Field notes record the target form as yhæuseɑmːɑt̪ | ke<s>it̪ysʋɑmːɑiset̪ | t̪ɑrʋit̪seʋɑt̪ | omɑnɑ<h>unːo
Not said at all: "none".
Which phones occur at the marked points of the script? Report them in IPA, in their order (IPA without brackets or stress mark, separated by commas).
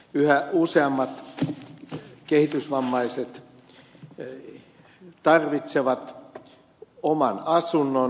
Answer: h, s